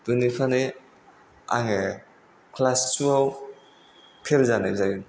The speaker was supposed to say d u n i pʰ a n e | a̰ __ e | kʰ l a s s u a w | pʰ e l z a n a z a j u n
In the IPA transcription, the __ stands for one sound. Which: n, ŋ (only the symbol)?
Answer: ŋ